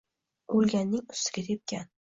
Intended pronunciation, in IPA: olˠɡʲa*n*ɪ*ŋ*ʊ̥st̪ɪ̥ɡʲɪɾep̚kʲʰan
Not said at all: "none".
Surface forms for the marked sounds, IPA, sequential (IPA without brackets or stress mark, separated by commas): nː, ŋ